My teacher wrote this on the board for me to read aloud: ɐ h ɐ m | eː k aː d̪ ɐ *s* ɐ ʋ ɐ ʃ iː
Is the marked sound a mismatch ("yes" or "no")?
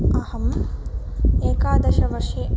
yes